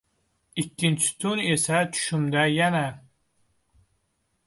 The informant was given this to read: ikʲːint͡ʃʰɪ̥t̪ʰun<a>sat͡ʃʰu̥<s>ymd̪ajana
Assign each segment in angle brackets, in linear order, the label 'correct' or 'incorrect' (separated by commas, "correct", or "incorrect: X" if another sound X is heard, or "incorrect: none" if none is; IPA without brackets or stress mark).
incorrect: e, incorrect: ʃ